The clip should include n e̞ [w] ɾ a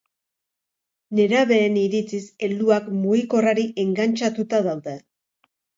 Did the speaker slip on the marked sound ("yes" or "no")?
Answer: yes